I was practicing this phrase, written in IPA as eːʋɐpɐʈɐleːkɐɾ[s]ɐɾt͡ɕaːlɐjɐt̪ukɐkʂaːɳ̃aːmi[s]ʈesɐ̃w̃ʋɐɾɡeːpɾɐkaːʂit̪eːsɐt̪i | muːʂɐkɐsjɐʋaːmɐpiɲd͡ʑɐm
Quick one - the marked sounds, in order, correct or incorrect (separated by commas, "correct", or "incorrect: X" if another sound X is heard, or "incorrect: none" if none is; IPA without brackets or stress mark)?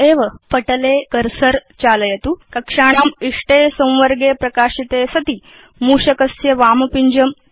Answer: correct, incorrect: ʂ